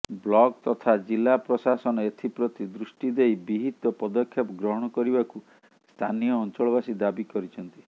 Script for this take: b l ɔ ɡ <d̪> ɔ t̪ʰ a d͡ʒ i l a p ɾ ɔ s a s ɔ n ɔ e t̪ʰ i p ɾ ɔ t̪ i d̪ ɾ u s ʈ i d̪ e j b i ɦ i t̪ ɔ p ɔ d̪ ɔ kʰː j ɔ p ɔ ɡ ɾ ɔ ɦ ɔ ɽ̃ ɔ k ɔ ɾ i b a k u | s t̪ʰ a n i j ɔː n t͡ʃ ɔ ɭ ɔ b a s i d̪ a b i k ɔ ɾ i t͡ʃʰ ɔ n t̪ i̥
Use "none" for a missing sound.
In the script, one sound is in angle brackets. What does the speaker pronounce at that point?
t̪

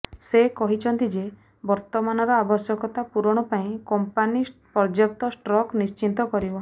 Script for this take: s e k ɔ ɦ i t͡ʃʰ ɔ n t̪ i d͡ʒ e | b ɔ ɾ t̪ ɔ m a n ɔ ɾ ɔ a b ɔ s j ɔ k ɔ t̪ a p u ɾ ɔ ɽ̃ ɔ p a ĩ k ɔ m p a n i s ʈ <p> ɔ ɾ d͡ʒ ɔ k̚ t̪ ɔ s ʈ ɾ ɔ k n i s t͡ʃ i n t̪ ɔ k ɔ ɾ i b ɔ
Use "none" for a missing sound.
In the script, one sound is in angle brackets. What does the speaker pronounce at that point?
p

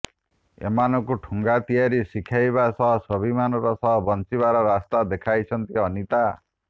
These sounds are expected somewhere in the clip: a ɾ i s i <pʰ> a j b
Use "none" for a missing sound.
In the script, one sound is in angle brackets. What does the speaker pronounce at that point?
kʰ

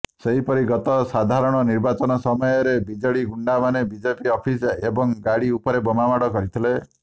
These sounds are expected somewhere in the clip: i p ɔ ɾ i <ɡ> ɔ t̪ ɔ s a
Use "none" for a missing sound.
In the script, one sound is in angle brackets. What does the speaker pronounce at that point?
ɡ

